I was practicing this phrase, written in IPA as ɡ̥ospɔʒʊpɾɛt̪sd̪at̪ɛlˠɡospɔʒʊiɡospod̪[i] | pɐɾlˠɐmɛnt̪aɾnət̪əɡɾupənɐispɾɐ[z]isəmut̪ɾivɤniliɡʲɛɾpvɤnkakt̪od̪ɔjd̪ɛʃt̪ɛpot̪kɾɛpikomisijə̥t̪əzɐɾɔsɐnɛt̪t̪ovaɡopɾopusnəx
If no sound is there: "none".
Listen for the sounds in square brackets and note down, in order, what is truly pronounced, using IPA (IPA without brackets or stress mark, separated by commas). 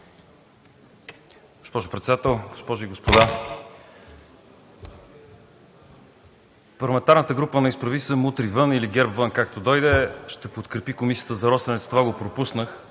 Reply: a, v